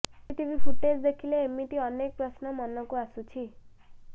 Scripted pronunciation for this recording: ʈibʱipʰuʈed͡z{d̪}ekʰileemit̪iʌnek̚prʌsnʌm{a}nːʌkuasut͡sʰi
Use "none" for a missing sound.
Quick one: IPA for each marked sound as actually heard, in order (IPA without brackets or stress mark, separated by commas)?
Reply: d̪, ʌ